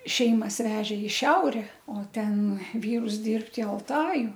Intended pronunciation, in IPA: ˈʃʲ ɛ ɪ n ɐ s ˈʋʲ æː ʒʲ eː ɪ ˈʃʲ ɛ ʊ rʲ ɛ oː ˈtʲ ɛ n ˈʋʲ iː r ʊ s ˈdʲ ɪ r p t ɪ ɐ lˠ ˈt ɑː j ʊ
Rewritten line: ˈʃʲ ɛ ɪ m ɐ s ˈʋʲ æː ʒʲ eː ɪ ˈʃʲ ɛ ʊ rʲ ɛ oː ˈtʲ ɛ n ˈʋʲ iː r ʊ s ˈdʲ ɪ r p t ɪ ɐ lˠ ˈt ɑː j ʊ